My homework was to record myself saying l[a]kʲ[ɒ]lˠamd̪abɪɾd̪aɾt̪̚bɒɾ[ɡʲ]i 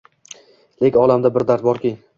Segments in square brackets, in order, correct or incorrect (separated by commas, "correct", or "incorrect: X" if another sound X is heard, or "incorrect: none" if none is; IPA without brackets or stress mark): incorrect: e, correct, incorrect: kʲ